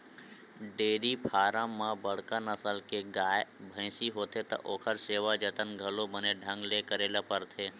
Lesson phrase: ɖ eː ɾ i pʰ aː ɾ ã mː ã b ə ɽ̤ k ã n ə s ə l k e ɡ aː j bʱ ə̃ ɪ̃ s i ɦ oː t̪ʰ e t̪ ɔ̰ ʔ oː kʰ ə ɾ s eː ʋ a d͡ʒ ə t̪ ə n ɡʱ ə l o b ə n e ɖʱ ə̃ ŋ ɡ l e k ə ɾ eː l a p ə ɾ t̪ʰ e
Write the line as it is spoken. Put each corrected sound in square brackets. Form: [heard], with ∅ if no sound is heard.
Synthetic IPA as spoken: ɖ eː ɾ i pʰ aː ɾ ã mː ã b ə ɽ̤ k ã n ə s ə l k e ɡ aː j bʱ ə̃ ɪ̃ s i ɦ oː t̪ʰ e t̪ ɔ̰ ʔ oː kʰ ə ɾ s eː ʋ a d͡ʒ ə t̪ ə n ɡʱ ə l o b ə n e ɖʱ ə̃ ŋ ɡ l e k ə ɾ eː l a p ə ɾ t̪ʰ e